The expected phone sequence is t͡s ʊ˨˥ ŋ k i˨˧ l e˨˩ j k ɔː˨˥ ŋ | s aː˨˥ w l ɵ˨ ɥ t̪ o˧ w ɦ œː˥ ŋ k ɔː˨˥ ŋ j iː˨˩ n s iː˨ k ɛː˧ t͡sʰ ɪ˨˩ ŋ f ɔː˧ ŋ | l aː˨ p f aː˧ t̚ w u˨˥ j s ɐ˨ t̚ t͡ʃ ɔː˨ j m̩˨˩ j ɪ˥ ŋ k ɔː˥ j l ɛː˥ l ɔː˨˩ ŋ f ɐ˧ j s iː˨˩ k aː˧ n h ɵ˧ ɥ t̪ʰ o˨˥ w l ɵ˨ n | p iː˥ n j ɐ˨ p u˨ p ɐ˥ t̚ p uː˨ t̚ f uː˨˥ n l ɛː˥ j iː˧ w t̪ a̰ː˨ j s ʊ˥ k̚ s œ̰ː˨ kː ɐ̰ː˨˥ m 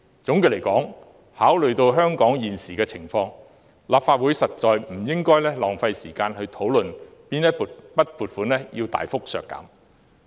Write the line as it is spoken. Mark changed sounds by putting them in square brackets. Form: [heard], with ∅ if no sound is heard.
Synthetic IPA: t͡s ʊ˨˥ ŋ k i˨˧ l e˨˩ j k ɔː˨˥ ŋ | [h] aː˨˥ w l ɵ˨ ɥ t̪ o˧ w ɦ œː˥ ŋ k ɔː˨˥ ŋ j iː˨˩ n s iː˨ k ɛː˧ t͡sʰ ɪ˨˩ ŋ f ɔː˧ ŋ | l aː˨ p f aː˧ t̚ w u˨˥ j s ɐ˨ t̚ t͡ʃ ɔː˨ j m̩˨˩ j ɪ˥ ŋ k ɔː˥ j l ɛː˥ l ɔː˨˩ ŋ f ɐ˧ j s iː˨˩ k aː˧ n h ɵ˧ ɥ t̪ʰ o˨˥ w l ɵ˨ n | p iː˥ n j [ɐ˥] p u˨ p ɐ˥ t̚ p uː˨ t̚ f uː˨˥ n l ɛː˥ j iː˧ w t̪ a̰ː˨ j [f] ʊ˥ k̚ s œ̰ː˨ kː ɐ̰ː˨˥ m